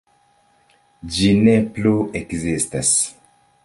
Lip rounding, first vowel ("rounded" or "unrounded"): unrounded